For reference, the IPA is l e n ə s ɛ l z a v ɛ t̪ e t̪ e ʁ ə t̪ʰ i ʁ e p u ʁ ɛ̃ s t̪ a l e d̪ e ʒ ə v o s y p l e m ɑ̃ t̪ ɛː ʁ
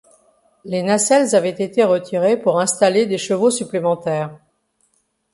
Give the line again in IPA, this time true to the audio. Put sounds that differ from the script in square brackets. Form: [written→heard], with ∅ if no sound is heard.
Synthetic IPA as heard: l e n [ə→a] s ɛ l z a v ɛ t̪ e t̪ e ʁ ə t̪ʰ i ʁ e p u ʁ ɛ̃ s t̪ a l e d̪ e [ʒ→ʃ] ə v o s y p l e m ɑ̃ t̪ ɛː ʁ